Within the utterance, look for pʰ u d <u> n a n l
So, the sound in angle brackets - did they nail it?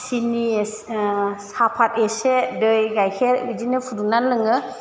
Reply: yes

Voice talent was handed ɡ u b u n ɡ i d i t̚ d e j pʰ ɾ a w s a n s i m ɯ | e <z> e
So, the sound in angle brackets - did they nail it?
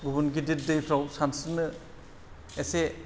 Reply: no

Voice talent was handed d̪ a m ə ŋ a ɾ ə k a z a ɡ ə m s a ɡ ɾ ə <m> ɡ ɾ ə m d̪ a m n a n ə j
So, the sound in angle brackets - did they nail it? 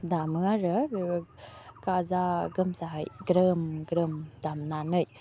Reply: yes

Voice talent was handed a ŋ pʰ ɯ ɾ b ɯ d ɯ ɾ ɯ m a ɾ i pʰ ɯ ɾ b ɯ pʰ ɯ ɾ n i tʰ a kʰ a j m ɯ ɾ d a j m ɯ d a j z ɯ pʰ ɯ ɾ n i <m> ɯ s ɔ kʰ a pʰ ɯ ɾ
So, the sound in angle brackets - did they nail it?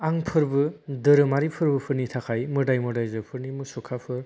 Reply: yes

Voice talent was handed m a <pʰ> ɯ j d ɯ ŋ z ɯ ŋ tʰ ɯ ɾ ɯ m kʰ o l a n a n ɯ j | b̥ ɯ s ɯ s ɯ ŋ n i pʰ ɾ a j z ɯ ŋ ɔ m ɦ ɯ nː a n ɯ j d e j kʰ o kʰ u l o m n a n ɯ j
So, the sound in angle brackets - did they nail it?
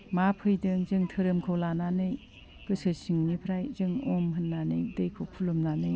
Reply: yes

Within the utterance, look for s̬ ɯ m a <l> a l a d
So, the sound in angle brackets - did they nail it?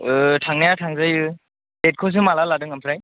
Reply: yes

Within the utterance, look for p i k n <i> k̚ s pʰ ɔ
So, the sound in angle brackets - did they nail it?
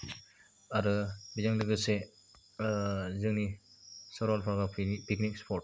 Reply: yes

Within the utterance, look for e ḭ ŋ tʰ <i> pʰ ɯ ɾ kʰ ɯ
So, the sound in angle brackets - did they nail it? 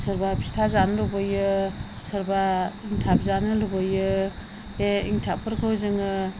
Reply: no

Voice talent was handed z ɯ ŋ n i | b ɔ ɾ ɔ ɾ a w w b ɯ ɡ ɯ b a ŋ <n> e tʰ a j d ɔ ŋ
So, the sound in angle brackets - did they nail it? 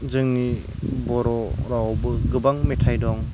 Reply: no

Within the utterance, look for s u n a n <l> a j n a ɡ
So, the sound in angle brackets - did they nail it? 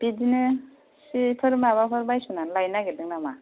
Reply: yes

